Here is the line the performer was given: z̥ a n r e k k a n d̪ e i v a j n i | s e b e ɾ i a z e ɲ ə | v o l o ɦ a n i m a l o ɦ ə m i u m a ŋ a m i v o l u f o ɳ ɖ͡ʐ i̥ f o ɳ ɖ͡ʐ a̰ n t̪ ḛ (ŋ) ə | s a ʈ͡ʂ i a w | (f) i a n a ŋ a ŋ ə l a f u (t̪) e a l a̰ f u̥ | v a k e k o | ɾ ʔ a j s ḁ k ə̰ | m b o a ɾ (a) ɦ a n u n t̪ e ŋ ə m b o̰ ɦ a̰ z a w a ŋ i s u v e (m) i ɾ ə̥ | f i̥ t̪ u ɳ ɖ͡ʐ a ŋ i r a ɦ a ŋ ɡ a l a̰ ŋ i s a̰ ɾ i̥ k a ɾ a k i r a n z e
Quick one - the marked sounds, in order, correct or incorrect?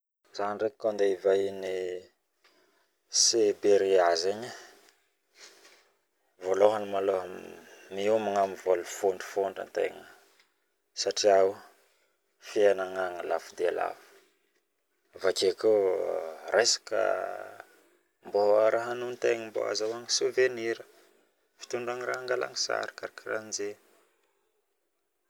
correct, correct, incorrect: d̪, correct, incorrect: n

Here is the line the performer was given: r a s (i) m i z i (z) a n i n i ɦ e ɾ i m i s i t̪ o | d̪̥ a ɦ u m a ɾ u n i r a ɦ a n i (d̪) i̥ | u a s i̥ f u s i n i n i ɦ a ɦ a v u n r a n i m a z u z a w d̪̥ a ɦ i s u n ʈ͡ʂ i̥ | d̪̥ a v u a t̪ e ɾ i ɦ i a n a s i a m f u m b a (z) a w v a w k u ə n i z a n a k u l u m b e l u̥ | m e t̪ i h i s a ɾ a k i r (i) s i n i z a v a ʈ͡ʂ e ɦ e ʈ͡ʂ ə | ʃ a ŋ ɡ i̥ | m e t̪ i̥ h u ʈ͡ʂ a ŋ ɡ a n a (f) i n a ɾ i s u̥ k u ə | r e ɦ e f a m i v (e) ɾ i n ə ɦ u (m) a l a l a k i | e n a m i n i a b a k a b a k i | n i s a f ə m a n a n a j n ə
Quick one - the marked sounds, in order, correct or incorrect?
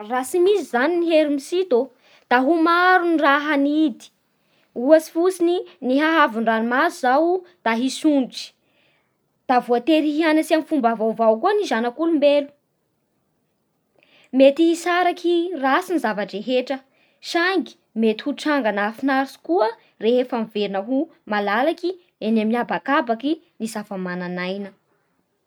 correct, correct, correct, incorrect: v, incorrect: a, correct, correct, correct

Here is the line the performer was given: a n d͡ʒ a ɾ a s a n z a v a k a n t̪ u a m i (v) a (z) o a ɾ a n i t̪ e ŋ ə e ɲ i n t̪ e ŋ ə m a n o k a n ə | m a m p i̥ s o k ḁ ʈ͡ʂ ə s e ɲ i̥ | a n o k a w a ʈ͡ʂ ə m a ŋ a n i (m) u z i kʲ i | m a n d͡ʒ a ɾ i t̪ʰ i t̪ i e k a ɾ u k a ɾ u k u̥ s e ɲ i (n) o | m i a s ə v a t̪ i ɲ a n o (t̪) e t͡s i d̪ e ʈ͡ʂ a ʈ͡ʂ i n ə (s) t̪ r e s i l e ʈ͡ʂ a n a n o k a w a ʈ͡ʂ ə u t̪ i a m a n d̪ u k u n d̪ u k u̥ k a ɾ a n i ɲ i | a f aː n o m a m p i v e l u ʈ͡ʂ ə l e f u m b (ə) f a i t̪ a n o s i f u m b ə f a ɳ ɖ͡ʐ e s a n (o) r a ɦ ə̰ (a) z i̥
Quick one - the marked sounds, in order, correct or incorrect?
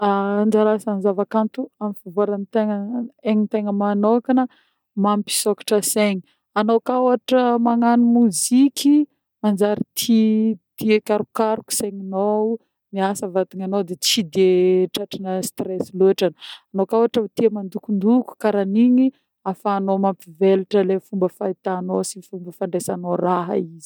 incorrect: f, incorrect: v, correct, correct, incorrect: d̪, correct, correct, correct, incorrect: i

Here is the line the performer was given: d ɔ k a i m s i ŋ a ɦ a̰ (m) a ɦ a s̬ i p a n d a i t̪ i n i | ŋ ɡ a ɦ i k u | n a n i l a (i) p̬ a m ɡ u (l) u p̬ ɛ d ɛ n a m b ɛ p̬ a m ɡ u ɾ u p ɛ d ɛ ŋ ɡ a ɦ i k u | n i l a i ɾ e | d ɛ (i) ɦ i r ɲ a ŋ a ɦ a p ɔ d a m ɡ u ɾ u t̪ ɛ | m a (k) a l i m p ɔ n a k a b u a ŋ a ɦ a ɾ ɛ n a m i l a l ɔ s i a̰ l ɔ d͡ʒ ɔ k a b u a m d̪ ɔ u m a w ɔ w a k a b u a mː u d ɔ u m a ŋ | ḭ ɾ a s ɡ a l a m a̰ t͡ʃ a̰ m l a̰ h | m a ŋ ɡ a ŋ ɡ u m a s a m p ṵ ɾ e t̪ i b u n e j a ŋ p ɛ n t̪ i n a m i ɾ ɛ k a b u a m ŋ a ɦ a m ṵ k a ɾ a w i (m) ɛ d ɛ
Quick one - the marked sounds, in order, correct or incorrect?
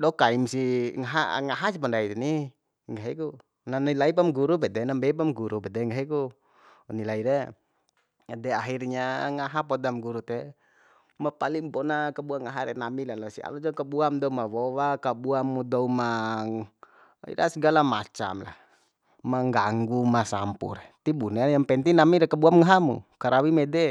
incorrect: ŋ, correct, incorrect: ɾ, incorrect: a, incorrect: p, correct

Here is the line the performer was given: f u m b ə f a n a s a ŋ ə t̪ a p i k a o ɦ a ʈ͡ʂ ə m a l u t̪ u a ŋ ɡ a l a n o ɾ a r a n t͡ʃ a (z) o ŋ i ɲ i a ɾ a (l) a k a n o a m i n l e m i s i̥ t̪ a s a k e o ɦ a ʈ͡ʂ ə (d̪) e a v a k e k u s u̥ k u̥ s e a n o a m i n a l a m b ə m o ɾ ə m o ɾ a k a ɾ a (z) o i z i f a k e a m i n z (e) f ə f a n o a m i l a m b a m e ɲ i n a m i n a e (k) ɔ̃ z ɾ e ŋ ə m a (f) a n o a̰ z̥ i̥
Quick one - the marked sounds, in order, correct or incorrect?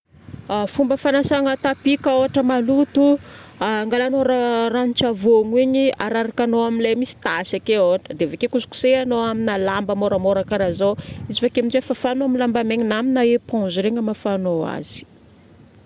incorrect: v, incorrect: ɾ, correct, correct, correct, incorrect: p, correct

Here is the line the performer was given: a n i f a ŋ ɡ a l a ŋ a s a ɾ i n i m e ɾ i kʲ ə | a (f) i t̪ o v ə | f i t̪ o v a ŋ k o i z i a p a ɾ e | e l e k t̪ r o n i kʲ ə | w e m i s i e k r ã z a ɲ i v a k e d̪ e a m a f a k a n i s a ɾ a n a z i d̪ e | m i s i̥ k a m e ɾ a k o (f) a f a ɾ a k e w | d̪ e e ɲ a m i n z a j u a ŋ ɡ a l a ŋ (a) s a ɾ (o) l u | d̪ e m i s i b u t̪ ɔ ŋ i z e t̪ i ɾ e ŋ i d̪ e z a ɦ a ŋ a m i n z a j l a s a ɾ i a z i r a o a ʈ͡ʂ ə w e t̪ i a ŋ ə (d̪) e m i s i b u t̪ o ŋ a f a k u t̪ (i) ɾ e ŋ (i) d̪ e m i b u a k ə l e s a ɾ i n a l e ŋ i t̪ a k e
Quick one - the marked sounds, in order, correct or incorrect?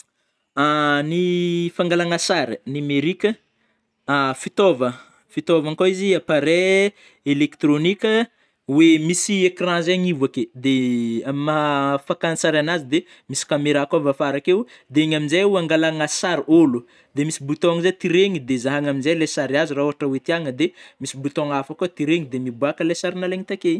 correct, incorrect: v, correct, correct, correct, correct, correct

